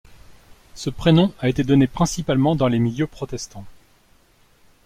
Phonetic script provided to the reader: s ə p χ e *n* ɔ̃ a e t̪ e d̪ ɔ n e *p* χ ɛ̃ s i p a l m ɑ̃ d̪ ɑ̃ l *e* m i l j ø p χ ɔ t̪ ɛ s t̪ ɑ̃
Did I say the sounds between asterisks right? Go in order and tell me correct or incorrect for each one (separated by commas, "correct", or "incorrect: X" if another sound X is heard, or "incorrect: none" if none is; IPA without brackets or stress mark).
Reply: correct, correct, correct